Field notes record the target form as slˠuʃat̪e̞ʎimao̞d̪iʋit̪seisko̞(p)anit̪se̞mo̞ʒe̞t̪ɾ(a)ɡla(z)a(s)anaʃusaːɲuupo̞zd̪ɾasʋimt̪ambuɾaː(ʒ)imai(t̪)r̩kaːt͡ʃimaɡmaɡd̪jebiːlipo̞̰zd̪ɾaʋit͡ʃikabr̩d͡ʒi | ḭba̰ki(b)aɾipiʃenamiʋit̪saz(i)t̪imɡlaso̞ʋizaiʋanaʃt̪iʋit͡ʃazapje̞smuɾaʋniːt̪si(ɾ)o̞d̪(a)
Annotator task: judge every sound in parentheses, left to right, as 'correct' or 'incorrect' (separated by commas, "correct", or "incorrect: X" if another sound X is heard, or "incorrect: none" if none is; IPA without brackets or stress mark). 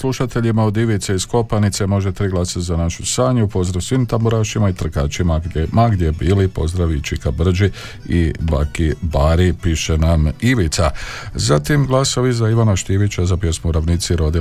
correct, incorrect: i, incorrect: s, incorrect: z, incorrect: ʃ, correct, correct, incorrect: a, correct, incorrect: i